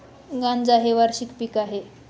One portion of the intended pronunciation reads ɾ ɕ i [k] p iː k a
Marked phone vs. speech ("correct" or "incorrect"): correct